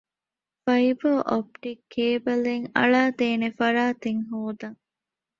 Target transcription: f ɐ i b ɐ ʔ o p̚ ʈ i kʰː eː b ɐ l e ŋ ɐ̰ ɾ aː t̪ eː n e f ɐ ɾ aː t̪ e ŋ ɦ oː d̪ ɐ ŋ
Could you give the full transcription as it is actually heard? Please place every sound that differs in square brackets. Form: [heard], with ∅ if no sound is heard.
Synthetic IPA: f ɐ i b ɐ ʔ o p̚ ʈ i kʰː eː b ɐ l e ŋ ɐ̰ [ɭ] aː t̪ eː n e f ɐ ɾ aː t̪ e ŋ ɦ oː d̪ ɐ ŋ